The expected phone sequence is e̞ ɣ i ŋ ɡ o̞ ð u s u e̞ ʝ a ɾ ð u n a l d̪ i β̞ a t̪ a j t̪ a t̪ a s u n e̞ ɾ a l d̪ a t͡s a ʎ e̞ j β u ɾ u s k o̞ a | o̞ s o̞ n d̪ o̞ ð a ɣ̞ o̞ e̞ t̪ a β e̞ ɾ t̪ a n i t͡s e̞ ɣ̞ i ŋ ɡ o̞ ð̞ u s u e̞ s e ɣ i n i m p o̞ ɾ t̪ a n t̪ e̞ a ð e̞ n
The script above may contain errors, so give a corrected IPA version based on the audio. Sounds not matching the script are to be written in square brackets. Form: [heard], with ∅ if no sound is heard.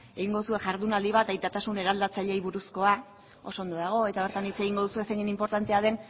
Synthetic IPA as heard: e̞ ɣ i ŋ ɡ o̞ ð u s u e̞ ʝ a ɾ ð u n a l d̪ i β̞ a t̪ a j t̪ a t̪ a s u n e̞ ɾ a l d̪ a t͡s a ʎ e̞ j β u ɾ u s k o̞ a | o̞ s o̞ n d̪ o̞ ð a ɣ̞ o̞ e̞ t̪ a β e̞ ɾ t̪ a n i t͡s e̞ ɣ̞ i ŋ ɡ o̞ ð̞ u s u e̞ s e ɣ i n i m p o̞ ɾ t̪ a n t̪ e̞ a ð e̞ n